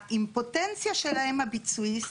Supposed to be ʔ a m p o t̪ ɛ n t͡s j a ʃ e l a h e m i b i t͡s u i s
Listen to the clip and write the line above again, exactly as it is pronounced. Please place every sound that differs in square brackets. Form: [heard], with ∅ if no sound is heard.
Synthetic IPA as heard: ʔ [i] m p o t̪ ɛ n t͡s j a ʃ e l a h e m [a] b i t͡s u i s